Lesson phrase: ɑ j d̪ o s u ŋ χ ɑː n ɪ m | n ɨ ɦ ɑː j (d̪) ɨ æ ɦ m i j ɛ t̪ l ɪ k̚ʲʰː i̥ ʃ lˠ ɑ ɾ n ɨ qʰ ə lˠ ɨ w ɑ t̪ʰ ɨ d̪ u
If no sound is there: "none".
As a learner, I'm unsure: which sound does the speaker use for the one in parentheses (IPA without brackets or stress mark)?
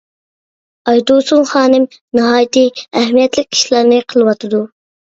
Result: t̪